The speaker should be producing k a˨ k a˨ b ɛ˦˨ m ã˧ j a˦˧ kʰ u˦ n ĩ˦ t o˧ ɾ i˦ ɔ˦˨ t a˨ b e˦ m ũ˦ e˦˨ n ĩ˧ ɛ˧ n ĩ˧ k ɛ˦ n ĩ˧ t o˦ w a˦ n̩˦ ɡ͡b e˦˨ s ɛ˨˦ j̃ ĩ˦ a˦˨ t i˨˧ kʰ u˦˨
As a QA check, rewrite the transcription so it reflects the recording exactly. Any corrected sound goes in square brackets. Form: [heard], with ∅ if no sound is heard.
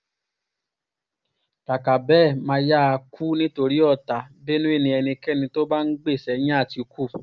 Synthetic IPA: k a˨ k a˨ b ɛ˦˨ m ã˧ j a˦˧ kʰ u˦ n ĩ˦ t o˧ ɾ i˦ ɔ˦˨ t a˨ b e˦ [n] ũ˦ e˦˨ n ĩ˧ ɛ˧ n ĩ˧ k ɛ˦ n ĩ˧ t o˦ [b] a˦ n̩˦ ɡ͡b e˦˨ s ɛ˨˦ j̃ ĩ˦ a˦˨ t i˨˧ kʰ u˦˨